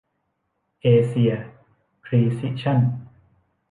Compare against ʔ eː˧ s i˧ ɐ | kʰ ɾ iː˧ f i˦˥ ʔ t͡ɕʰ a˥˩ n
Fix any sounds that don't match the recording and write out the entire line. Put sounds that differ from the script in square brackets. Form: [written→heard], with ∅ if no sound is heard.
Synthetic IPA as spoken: ʔ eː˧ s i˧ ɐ | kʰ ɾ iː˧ [f→s] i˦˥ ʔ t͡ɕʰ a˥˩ n